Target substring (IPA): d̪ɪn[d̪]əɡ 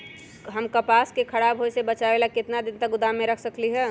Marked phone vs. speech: incorrect: t̪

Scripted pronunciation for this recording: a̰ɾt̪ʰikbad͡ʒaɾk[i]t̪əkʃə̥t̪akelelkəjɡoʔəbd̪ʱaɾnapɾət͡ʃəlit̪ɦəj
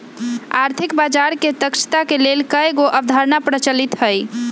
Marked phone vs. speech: incorrect: e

